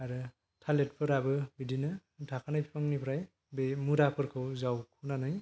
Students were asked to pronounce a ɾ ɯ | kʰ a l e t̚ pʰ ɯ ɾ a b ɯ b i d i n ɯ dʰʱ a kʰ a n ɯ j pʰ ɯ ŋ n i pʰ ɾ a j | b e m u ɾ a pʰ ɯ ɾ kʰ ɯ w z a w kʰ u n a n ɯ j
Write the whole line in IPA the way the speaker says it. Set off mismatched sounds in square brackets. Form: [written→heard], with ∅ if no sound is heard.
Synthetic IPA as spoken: a ɾ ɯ | [kʰ→tʰ] a l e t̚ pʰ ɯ ɾ a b ɯ b i d i n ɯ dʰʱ a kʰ a n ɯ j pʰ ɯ ŋ n i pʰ ɾ a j | b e m u ɾ a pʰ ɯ ɾ kʰ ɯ w z a w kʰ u n a n ɯ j